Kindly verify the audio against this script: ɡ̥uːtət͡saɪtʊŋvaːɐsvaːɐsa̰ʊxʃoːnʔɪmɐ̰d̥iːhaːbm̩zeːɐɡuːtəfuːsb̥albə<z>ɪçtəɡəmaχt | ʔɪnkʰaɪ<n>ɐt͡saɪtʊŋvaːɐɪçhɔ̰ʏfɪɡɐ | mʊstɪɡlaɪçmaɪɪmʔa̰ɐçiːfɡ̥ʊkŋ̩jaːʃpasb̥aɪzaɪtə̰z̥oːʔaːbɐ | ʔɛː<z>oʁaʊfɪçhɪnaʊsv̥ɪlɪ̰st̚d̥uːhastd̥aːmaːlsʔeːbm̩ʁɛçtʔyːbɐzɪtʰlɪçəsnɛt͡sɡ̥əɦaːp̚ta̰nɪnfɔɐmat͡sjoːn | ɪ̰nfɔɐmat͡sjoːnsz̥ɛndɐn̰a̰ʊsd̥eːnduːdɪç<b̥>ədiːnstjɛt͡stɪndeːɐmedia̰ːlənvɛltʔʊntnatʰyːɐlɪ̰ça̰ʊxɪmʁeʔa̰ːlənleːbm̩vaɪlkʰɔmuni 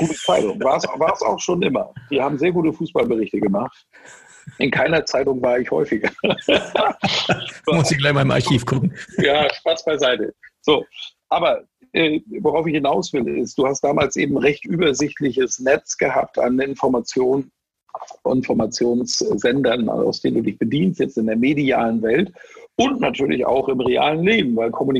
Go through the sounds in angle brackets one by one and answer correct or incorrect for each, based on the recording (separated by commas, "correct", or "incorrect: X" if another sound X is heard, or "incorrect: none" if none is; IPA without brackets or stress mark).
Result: incorrect: ʁ, correct, incorrect: v, correct